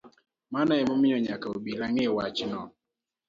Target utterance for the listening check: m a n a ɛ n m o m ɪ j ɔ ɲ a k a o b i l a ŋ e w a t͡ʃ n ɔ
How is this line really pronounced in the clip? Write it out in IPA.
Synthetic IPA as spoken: m a n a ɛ m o m ɪ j ɔ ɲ a k a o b i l a ŋ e w a t͡ʃ n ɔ